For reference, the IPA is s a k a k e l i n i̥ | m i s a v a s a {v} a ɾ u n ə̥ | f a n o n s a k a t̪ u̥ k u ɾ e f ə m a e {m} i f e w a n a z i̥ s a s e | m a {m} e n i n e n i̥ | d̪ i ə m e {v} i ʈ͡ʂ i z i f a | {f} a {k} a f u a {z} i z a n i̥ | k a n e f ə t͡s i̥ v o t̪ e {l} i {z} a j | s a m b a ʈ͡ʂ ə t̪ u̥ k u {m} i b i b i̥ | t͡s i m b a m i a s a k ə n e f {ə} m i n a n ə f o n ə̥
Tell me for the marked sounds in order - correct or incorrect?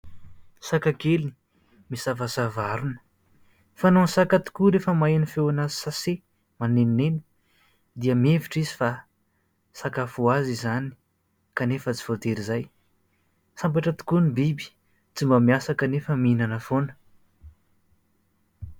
correct, incorrect, incorrect, correct, incorrect, correct, correct, incorrect, correct, incorrect, correct

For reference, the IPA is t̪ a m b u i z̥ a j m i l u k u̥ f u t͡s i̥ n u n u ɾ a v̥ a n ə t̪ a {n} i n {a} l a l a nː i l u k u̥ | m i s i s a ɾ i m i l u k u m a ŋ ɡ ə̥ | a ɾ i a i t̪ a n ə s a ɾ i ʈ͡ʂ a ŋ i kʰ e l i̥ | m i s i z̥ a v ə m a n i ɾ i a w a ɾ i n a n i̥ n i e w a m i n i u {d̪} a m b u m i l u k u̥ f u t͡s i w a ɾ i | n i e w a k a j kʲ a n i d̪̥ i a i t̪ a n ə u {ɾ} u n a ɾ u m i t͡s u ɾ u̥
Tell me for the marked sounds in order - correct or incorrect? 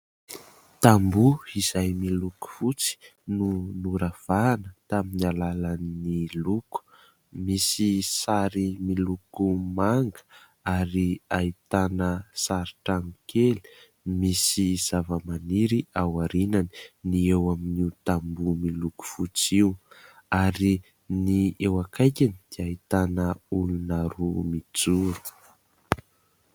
incorrect, correct, incorrect, incorrect

